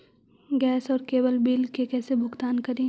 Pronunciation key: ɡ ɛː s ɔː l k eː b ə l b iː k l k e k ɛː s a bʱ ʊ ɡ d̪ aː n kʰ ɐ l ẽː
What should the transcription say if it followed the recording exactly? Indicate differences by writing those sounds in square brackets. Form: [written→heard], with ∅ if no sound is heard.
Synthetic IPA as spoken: ɡ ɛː s ɔː [l→ɾ] k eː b ə l b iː [k→∅] l k e k ɛː s [a→e] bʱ ʊ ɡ [d̪→t̪] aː n [kʰ→k] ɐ [l→ɾ] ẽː